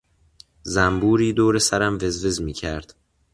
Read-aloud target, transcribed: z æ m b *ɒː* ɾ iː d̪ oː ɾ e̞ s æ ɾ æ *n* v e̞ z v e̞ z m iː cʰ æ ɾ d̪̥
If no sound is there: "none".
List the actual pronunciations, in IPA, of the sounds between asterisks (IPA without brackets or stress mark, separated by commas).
uː, m